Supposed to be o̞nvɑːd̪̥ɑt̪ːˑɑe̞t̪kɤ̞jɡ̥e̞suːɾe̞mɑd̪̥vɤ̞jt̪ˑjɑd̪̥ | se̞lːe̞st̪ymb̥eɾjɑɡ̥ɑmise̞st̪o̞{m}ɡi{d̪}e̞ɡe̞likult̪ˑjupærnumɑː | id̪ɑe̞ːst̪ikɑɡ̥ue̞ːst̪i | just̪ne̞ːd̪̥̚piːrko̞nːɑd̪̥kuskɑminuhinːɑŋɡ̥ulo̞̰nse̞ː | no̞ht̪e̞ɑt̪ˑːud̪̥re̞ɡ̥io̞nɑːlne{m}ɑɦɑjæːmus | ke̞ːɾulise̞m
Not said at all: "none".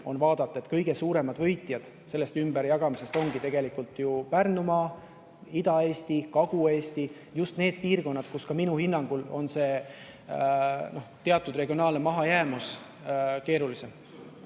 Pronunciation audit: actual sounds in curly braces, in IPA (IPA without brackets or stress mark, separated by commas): ŋ, t̪, m